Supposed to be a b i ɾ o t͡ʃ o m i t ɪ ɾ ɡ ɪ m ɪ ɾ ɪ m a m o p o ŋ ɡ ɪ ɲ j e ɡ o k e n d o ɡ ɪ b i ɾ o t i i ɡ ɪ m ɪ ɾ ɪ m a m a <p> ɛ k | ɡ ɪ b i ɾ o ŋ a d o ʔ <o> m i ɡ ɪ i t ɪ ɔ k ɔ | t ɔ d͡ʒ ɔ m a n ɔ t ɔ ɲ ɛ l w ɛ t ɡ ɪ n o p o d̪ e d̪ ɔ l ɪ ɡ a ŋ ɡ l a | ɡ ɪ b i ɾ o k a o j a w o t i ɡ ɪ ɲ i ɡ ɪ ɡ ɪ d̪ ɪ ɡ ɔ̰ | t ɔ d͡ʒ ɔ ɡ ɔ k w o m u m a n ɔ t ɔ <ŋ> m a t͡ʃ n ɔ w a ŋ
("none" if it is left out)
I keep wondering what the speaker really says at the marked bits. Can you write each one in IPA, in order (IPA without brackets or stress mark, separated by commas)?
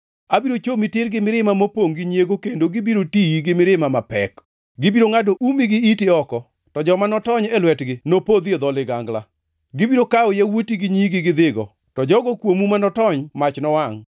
p, u, ɲ